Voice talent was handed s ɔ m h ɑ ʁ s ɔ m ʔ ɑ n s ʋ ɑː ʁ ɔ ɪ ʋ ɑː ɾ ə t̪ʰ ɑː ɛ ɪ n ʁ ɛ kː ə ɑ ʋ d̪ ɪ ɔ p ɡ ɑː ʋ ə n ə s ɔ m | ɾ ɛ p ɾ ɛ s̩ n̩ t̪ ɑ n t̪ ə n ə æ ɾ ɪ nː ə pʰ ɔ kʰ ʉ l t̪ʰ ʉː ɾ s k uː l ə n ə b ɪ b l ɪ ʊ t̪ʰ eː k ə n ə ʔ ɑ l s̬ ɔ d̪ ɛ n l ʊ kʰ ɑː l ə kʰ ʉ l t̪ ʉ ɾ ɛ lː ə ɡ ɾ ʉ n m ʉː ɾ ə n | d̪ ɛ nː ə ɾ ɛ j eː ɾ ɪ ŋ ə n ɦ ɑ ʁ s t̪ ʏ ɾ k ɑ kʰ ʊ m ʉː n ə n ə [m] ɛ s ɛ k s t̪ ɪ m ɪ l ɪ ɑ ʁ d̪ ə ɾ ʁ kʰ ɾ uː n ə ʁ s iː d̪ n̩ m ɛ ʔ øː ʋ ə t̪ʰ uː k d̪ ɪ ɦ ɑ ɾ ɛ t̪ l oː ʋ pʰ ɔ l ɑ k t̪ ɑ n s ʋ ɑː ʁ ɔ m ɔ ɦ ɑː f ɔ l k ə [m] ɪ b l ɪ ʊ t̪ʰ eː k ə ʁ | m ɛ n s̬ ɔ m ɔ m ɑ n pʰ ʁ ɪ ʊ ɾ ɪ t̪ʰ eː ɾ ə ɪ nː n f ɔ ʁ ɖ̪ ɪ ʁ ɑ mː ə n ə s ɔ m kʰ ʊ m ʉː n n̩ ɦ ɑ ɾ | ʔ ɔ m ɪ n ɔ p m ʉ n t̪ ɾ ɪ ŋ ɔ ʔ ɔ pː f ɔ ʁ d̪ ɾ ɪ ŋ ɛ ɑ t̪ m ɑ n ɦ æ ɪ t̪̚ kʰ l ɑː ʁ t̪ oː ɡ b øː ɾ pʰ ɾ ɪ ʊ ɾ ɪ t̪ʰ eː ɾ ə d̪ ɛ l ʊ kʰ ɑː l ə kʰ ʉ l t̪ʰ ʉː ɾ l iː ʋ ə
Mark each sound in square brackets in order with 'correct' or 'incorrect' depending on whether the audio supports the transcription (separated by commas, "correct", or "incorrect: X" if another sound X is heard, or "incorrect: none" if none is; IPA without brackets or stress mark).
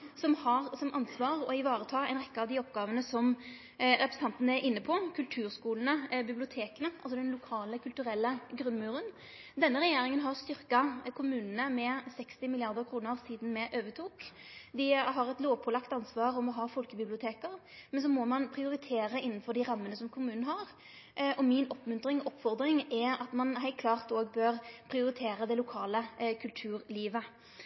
correct, incorrect: b